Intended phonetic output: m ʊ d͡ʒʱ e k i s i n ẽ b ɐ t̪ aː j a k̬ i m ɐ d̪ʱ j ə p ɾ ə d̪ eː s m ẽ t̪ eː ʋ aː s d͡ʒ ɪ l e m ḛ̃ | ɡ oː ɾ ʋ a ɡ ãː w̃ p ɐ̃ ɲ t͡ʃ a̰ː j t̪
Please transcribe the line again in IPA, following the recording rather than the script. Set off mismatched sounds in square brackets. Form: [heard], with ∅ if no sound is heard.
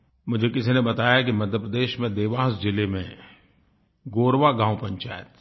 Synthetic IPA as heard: m ʊ d͡ʒʱ e k [ɪ] s i n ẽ b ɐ t̪ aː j a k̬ i m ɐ d̪ʱ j ə p ɾ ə d̪ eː [ʃ] m ẽ [d̪] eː ʋ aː s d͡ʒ ɪ l e m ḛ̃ | ɡ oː ɾ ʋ a ɡ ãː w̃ p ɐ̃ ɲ t͡ʃ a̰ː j t̪

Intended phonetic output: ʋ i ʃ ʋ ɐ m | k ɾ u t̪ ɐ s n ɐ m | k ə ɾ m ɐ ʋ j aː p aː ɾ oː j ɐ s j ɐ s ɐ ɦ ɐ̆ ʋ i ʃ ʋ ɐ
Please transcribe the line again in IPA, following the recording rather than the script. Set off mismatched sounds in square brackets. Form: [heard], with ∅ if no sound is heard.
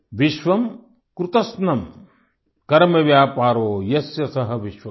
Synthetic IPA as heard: ʋ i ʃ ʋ ɐ m | k ɾ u t̪ ɐ s n ɐ m | k [ɐ] ɾ m ɐ ʋ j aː p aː ɾ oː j ɐ s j ɐ s ɐ ɦ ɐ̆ ʋ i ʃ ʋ ɐ

